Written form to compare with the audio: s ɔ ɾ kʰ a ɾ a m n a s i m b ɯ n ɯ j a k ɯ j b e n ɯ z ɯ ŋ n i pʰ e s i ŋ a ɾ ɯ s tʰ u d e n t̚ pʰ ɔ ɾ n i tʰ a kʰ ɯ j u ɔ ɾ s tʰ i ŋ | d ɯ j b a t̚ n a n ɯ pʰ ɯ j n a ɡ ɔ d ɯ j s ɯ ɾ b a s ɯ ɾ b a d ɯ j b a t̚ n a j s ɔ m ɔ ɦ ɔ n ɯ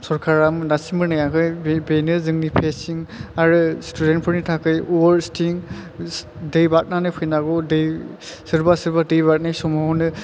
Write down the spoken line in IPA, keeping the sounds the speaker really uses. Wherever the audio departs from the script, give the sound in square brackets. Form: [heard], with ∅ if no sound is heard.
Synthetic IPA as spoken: s ɔ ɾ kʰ a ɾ a m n a s i m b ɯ n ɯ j a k ɯ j b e n ɯ z ɯ ŋ n i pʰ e s i ŋ a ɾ ɯ s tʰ u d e n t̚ pʰ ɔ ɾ n i tʰ a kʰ ɯ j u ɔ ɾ s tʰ i ŋ | d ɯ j b a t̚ n a n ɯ pʰ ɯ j n a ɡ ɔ d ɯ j s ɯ ɾ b a s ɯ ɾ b a d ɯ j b a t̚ n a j s ɔ m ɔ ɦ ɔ n ɯ